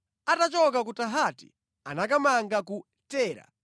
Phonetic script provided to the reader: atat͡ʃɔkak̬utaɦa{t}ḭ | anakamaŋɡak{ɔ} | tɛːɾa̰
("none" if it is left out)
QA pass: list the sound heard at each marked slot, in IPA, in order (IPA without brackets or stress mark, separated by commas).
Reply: t, u